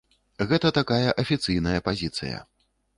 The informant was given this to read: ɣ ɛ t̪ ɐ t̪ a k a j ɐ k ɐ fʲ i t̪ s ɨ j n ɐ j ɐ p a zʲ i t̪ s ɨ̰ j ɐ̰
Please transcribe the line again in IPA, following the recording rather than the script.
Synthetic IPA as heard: ɣ ɛ t̪ ɐ t̪ a k a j ɐ ʔ ɐ fʲ i t̪ s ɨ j n ɐ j ɐ p a zʲ i t̪ s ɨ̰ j ɐ̰